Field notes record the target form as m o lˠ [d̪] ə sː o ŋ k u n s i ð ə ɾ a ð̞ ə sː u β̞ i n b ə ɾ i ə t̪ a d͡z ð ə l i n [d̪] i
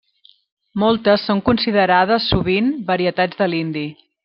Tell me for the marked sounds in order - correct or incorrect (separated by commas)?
incorrect, correct